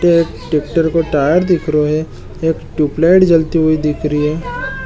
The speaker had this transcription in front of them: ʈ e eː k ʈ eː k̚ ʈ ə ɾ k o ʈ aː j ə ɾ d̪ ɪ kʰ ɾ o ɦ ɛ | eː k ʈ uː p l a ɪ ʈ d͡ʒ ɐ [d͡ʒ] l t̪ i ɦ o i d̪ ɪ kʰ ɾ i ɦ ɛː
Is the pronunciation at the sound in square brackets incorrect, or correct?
incorrect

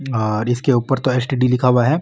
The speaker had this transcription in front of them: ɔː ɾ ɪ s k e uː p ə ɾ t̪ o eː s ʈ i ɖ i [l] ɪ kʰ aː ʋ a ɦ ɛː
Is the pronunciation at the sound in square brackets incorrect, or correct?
correct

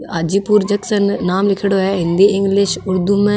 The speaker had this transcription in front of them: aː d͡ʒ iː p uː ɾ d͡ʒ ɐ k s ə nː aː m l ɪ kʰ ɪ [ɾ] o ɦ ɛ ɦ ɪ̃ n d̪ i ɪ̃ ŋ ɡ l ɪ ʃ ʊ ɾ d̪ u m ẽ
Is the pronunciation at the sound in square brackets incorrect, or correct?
incorrect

